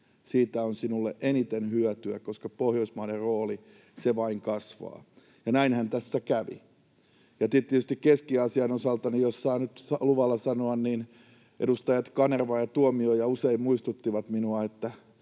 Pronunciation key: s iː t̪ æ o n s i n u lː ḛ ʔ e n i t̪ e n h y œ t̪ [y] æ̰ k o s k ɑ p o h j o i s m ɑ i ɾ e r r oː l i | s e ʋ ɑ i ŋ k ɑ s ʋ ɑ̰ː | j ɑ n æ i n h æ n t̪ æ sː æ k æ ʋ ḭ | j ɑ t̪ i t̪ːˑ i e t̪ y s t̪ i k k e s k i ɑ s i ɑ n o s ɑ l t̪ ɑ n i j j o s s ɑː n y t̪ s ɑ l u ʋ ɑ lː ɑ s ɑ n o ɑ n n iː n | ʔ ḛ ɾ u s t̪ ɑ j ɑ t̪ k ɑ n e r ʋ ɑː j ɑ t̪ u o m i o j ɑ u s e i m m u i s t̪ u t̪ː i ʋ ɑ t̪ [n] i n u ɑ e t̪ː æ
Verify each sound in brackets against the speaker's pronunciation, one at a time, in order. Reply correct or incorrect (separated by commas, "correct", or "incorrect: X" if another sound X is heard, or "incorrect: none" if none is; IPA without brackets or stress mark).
correct, incorrect: m